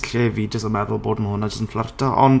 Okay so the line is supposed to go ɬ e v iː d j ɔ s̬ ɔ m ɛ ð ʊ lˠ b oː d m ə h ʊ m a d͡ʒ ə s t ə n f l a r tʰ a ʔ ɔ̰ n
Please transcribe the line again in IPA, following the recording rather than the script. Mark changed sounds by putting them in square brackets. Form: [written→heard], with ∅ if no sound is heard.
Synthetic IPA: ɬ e v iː d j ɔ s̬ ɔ m ɛ ð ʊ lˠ b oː d m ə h ʊ [m→n] a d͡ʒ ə s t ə n f l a r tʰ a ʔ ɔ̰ n